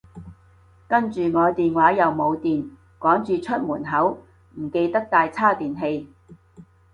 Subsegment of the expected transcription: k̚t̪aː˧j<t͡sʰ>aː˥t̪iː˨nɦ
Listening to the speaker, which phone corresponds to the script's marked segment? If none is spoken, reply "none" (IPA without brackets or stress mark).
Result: t͡sʰ